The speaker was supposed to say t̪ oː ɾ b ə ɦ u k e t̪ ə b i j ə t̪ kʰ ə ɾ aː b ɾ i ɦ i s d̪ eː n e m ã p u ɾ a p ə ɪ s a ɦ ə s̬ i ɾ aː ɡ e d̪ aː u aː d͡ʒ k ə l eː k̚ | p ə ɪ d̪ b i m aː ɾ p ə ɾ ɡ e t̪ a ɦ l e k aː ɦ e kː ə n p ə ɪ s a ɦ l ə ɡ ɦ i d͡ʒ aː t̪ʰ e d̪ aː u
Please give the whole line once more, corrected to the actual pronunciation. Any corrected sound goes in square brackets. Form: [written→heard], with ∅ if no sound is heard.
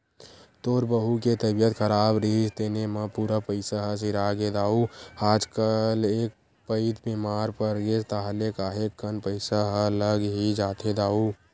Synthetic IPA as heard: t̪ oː ɾ b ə ɦ u k e t̪ ə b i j ə t̪ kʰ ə ɾ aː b ɾ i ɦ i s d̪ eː n e m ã p u ɾ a p ə ɪ s a ɦ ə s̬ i ɾ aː ɡ e d̪ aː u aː d͡ʒ k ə l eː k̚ | p ə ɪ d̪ b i m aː ɾ p ə ɾ ɡ e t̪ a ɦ l e k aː ɦ e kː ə n p ə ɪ s a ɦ l ə ɡ ɦ i d͡ʒ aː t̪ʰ e d̪ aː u